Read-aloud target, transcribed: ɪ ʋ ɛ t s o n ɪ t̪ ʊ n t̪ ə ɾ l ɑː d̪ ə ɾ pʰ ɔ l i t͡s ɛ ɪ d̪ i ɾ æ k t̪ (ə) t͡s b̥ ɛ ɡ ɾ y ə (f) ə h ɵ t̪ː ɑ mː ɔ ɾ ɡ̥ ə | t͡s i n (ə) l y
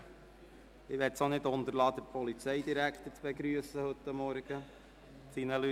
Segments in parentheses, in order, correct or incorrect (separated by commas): correct, incorrect, correct